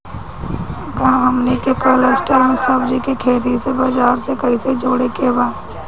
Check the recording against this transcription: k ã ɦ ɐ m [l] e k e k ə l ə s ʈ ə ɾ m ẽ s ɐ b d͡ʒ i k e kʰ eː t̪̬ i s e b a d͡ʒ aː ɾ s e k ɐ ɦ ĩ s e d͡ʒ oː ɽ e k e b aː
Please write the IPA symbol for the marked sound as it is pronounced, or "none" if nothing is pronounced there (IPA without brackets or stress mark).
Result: l